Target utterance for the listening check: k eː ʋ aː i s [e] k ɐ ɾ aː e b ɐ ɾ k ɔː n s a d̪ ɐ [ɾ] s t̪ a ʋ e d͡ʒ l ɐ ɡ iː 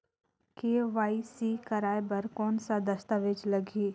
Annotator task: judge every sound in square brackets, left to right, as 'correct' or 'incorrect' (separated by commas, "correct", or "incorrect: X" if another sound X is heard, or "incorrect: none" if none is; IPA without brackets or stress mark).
incorrect: i, incorrect: none